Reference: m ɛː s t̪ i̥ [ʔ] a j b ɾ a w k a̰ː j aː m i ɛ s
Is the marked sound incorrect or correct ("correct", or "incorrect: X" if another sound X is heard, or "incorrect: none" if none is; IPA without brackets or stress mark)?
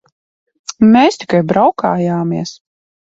incorrect: k